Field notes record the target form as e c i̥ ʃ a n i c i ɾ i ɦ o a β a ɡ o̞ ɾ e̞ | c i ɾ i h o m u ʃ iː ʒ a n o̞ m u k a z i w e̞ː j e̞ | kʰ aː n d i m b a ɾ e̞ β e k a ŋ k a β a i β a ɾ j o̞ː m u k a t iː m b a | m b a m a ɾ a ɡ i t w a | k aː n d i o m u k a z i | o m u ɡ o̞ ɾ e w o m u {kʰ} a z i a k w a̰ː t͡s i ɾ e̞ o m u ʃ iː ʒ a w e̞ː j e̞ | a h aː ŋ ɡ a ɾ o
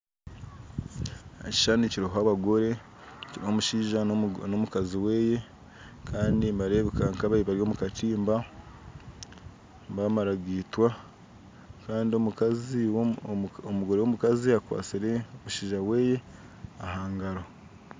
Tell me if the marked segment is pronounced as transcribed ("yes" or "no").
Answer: no